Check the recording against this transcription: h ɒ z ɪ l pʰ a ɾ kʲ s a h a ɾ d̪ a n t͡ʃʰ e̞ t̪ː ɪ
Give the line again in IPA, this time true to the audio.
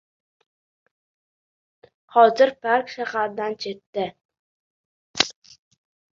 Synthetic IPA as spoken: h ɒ z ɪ ɾ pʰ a ɾ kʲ ʃ a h a ɾ d̪ a n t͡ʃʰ e̞ t̪ː ɪ